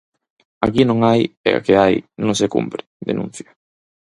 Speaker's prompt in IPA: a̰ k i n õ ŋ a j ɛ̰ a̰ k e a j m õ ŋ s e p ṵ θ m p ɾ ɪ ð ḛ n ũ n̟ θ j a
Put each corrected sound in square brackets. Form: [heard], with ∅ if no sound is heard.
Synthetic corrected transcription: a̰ k i n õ ŋ a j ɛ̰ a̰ k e a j [n] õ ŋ s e [k] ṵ [∅] m p ɾ ɪ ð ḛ n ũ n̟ θ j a

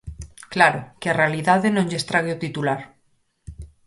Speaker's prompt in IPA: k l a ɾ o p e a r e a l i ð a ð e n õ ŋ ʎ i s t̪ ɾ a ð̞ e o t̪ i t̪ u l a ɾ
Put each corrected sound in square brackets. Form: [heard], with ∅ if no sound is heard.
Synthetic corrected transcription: k l a ɾ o [k] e a r e a l i ð a ð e n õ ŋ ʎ [e] s t̪ ɾ a [ɣ̞] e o t̪ i t̪ u l a ɾ

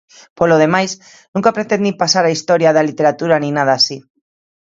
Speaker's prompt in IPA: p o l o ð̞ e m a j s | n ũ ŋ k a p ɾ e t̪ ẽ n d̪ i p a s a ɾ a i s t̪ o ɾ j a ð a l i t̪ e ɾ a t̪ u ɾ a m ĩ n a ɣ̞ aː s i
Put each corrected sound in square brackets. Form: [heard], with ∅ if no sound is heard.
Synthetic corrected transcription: p o l o ð̞ e m a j s | n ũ ŋ k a p ɾ e t̪ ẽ n d̪ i p a s a ɾ a i s t̪ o ɾ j a ð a l i t̪ e ɾ a t̪ u ɾ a [n] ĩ n a [ð̞] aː s i

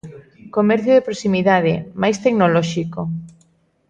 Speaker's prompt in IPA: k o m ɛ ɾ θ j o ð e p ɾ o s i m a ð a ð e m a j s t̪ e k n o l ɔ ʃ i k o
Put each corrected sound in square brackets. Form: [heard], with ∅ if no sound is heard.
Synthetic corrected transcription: k o m ɛ ɾ θ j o ð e p ɾ o s i m [i] ð a ð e m a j s t̪ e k n o l ɔ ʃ i k o

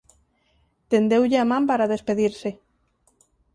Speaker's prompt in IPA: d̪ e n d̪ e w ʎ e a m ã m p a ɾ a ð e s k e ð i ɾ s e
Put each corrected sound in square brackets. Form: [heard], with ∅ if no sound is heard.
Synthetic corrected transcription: [t̪] e n d̪ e w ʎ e a m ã m p a ɾ a ð e s [p] e ð i ɾ s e

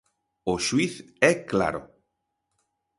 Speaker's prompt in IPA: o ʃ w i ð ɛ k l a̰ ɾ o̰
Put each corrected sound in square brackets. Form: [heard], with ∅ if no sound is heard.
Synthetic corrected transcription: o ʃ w i [θ] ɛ k l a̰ ɾ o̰

